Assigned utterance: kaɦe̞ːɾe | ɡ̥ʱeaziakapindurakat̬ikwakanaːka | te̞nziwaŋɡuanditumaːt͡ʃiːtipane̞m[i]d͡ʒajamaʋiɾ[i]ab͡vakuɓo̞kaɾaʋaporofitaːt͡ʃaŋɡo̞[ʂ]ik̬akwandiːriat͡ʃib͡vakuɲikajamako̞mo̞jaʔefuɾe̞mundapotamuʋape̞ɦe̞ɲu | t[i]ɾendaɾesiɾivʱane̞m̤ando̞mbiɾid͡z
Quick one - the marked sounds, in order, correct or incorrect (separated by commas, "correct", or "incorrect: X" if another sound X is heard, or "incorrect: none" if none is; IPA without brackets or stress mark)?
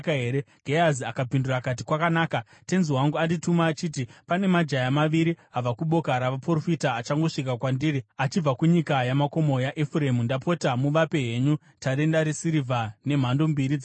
incorrect: a, correct, correct, incorrect: a